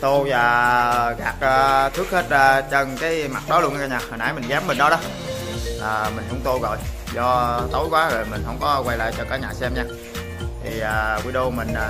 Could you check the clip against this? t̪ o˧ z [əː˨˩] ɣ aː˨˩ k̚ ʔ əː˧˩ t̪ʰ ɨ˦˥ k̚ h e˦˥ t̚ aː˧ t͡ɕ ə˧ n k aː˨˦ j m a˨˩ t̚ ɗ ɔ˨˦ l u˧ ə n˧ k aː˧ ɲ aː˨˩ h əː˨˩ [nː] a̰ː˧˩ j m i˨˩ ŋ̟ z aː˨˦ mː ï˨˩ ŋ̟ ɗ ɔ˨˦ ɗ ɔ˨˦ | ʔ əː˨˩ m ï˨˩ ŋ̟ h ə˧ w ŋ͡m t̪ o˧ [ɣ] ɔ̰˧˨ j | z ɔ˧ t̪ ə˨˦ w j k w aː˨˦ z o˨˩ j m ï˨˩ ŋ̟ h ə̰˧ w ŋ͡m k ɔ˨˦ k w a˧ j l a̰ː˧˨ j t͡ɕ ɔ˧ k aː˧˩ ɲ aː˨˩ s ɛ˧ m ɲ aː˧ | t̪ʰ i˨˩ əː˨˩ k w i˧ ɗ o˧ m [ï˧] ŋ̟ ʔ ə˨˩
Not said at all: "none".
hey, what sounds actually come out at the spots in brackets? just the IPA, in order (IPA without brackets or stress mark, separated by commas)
aː˨˩, n, ɣ, ï˨˩